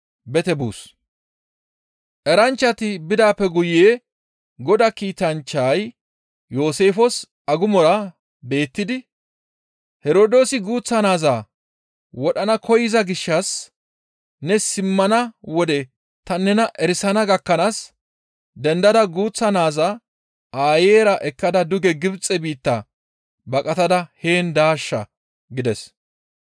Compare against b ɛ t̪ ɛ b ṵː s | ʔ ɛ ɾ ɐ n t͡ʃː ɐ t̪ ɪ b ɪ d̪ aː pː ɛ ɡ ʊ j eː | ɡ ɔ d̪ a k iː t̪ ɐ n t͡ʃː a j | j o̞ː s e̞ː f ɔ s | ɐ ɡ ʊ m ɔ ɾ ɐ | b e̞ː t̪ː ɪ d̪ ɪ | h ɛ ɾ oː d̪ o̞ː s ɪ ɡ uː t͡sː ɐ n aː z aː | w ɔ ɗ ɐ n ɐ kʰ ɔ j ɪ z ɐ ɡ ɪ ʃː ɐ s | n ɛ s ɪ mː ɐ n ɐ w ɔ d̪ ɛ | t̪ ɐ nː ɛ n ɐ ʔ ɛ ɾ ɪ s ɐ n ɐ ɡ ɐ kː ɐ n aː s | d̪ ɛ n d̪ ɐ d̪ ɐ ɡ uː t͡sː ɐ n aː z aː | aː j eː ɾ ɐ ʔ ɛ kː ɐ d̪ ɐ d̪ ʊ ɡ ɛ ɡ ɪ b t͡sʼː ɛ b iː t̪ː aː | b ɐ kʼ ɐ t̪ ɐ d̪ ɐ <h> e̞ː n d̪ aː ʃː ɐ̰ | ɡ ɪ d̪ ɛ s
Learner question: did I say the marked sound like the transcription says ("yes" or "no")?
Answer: yes